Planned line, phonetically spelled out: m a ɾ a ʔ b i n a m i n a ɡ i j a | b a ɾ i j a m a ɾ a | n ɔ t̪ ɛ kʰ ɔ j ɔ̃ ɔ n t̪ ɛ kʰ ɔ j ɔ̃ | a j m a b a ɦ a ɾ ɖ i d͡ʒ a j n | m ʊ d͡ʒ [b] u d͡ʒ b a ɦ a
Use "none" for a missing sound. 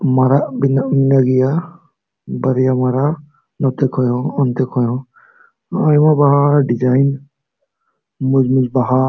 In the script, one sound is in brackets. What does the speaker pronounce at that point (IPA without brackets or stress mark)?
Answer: m